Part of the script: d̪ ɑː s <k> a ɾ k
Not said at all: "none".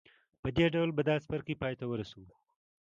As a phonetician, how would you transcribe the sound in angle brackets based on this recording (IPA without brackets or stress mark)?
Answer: p